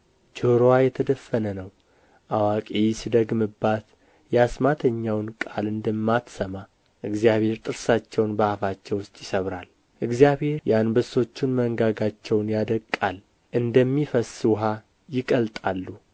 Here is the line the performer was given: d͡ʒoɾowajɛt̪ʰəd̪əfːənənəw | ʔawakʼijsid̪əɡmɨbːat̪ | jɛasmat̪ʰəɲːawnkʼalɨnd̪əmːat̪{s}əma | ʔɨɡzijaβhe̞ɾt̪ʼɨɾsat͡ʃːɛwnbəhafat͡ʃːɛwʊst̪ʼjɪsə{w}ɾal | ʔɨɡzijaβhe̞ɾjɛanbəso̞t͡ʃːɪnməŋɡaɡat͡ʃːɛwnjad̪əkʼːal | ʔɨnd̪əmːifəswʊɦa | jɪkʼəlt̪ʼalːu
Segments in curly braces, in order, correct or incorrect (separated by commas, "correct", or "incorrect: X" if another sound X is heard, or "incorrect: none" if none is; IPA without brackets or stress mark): correct, incorrect: β